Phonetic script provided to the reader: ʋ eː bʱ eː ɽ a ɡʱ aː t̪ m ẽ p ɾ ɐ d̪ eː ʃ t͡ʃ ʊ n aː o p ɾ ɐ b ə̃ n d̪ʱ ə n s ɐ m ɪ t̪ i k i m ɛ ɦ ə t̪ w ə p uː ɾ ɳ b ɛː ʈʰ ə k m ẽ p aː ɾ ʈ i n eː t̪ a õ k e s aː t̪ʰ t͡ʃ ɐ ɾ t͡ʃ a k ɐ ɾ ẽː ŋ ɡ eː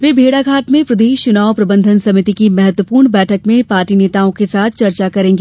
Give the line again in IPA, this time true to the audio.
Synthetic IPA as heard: ʋ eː bʱ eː ɽ a ɡʱ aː t̪ m ẽ p ɾ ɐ d̪ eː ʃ t͡ʃ ʊ n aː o p ɾ ɐ b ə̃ n d̪ʱ ə n s ɐ m ɪ t̪ i k i m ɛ ɦ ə t̪ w ə p uː ɾ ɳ b ɛː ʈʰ ə k m ẽ p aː ɾ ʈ i n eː t̪ a õ k e s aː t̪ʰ t͡ʃ ɐ ɾ t͡ʃ a k ɐ ɾ ẽː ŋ ɡ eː